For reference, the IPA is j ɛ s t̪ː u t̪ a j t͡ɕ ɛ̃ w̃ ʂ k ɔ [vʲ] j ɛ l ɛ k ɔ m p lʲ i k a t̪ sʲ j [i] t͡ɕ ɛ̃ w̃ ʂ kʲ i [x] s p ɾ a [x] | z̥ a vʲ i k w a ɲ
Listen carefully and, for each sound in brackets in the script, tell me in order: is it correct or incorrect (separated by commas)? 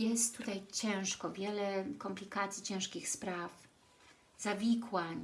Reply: correct, correct, correct, incorrect